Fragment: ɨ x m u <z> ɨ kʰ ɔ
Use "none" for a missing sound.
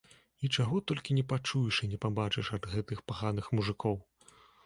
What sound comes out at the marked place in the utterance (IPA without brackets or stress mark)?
ʐ